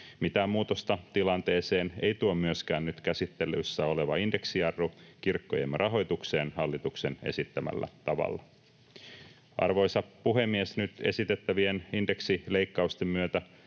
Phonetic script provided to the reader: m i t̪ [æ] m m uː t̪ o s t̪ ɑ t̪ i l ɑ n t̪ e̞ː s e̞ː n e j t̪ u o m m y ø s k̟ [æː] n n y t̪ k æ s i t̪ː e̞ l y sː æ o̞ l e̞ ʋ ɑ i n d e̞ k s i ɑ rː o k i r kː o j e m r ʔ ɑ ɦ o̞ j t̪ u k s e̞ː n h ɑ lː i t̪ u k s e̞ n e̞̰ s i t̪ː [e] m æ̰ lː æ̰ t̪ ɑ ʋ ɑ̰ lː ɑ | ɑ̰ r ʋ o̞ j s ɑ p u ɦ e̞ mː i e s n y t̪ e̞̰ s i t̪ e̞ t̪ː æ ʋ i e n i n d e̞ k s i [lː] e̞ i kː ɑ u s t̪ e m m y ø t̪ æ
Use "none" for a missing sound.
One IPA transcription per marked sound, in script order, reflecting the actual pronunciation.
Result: æː, æː, æ, l

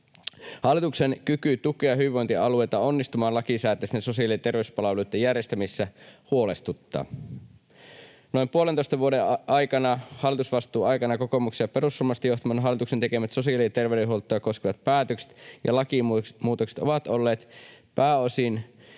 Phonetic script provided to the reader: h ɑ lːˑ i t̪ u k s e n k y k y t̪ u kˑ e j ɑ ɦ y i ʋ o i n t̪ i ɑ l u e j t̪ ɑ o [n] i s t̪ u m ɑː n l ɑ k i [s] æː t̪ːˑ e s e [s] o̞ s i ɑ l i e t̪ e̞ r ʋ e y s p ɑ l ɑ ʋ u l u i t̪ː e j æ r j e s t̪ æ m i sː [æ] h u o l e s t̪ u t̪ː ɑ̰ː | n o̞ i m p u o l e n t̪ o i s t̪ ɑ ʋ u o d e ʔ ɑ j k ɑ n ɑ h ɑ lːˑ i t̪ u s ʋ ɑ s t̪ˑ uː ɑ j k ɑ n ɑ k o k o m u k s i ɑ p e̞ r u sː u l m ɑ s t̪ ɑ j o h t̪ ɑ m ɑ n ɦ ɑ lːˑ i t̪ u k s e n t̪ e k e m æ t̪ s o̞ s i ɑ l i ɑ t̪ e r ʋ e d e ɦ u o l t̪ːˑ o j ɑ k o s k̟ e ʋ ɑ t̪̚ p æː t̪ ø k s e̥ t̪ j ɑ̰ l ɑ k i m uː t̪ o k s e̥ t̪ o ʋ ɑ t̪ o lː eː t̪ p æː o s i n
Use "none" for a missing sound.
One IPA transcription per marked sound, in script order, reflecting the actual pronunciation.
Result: nː, s, s, æ

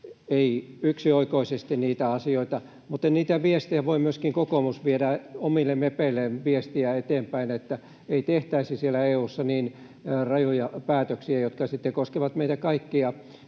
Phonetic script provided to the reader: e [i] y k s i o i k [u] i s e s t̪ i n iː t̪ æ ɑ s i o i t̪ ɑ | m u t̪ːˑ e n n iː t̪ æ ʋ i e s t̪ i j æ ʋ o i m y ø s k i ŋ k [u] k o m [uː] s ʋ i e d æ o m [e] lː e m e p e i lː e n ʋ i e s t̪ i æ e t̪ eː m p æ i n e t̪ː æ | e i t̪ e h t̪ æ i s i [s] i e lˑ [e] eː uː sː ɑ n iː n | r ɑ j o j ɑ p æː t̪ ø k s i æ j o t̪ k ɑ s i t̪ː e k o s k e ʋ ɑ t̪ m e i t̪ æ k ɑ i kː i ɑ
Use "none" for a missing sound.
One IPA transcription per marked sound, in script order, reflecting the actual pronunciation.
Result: i, o, o, u, i, s, æ

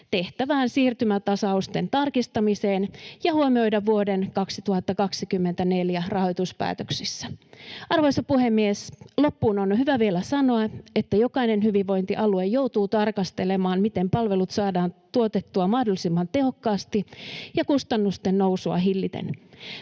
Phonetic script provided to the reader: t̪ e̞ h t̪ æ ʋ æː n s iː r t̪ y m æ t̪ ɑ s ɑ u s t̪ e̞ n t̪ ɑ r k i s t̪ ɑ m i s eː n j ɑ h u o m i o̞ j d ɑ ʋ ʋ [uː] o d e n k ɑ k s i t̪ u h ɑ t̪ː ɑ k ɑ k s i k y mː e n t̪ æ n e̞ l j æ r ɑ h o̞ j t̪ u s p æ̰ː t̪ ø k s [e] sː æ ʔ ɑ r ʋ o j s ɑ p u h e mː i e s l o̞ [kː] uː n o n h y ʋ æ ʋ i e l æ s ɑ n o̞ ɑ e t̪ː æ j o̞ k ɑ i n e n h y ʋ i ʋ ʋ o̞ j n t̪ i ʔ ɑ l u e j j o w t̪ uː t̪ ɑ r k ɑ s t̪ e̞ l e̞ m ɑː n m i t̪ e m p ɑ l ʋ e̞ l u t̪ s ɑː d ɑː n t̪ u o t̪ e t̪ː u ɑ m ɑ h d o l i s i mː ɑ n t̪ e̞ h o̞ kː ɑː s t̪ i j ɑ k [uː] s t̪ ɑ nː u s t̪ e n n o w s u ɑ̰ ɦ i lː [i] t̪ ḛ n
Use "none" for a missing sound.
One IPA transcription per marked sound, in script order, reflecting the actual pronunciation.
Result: u, i, pː, u, i

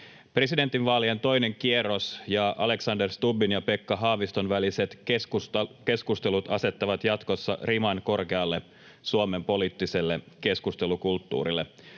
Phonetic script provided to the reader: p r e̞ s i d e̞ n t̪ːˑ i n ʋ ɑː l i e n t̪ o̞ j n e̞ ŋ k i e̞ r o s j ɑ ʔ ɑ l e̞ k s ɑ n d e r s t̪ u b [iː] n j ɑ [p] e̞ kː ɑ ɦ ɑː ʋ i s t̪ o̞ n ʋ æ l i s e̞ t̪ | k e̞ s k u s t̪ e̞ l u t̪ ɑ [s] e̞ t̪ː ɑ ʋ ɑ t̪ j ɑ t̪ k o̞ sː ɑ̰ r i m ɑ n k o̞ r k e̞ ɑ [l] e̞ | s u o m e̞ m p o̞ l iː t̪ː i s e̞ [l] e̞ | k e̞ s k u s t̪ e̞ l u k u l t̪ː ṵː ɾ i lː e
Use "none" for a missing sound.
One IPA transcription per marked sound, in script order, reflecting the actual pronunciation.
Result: i, p, s, lː, lː

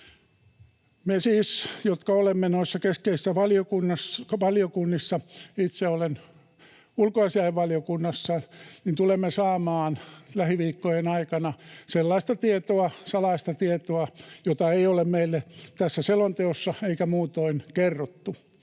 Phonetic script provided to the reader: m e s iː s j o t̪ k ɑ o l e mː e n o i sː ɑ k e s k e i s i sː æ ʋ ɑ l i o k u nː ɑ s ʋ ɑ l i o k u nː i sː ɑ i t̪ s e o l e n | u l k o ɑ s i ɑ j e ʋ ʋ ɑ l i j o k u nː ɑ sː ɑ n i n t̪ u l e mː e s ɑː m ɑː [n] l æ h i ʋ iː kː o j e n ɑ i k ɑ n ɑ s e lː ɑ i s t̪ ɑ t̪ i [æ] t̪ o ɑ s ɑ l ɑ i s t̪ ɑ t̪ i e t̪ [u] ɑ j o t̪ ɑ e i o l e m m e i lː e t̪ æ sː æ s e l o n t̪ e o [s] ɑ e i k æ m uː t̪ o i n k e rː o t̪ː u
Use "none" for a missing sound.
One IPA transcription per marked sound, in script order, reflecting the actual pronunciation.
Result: n, e, o, sː

